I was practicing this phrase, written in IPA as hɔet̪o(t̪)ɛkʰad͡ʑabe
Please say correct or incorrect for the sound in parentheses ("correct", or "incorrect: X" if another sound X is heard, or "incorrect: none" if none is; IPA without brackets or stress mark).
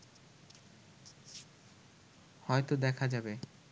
incorrect: d̪